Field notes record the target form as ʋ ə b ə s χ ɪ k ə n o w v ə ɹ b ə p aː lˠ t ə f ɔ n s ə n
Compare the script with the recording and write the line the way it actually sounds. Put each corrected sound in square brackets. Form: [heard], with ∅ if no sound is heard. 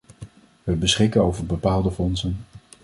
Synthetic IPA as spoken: ʋ ə b ə s χ ɪ k ə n o w v ə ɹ b ə p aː lˠ [d] ə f ɔ n s ə n